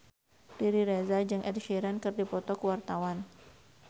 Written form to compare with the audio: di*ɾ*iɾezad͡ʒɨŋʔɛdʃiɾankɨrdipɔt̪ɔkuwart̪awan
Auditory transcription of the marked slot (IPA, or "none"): ɾ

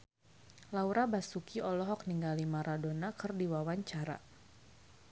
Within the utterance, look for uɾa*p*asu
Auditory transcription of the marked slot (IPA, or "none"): b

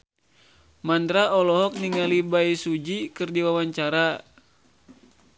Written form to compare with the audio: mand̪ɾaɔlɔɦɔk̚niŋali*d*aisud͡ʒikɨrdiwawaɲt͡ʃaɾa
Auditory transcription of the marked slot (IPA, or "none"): b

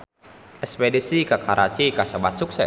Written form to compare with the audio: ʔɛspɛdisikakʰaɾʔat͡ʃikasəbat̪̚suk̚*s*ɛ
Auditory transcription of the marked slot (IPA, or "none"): s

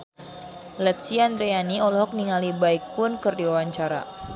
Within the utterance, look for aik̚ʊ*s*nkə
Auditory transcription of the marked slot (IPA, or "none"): none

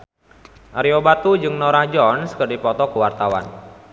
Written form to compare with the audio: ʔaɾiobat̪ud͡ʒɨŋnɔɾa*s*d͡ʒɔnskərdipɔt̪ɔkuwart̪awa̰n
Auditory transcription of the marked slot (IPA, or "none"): h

